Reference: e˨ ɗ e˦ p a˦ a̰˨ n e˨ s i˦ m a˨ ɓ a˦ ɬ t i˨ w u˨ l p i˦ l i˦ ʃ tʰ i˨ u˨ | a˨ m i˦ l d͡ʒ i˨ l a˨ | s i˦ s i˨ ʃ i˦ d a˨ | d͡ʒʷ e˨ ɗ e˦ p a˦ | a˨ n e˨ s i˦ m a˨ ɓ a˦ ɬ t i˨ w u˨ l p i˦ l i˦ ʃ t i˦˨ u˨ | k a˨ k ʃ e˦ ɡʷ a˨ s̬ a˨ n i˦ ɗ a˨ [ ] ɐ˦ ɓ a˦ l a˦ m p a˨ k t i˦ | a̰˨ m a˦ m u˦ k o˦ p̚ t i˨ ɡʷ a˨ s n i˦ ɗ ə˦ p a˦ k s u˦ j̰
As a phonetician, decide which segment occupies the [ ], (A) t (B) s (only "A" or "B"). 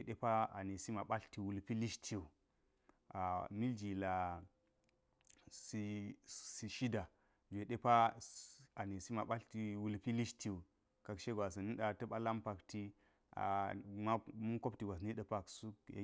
A